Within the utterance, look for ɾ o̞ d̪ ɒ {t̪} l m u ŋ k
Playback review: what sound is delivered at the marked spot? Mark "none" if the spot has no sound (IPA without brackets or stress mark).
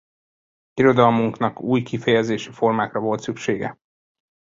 none